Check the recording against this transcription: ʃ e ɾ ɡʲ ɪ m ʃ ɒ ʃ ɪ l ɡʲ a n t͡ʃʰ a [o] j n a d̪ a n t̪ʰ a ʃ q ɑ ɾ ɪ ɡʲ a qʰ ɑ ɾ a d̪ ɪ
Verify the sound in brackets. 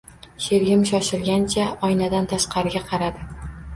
incorrect: ɒ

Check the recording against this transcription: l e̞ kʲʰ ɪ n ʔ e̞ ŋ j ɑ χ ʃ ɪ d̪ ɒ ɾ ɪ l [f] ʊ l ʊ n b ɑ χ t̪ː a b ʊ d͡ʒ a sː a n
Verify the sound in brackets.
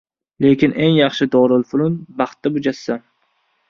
correct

